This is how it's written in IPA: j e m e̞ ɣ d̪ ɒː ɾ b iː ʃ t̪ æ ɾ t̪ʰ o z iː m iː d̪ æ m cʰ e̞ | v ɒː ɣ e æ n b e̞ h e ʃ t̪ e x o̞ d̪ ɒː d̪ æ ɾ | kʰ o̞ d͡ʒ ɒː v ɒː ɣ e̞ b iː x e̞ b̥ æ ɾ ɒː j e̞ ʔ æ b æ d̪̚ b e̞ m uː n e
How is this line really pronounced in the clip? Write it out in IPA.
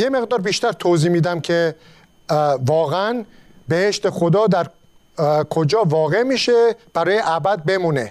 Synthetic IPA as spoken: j e m e̞ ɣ d̪ ɒː ɾ b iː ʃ t̪ æ ɾ t̪ʰ o z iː m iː d̪ æ m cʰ e̞ | v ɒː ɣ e æ n b e̞ h e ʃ t̪ e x o̞ d̪ ɒː d̪ æ ɾ | kʰ o̞ d͡ʒ ɒː v ɒː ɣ e̞ m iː ʃ e̞ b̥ æ ɾ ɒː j e̞ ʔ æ b æ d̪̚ b e̞ m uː n e